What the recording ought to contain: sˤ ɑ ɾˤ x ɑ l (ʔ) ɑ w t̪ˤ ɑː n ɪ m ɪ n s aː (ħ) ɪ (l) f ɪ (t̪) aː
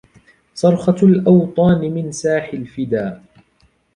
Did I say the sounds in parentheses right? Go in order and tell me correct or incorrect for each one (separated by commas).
correct, correct, correct, incorrect